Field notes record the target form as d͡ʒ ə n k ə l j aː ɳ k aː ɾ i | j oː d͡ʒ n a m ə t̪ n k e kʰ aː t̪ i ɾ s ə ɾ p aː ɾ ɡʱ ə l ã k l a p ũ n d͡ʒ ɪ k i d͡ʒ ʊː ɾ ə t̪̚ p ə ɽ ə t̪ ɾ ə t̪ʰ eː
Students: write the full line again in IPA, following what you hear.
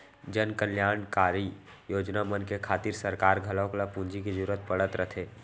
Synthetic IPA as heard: d͡ʒ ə n k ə l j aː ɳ k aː ɾ i | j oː d͡ʒ n a m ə n k e kʰ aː t̪ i ɾ s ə ɾ k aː ɾ ɡʱ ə l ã k l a p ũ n d͡ʒ i k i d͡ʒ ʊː ɾ ə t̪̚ p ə ɽ ə t̪ ɾ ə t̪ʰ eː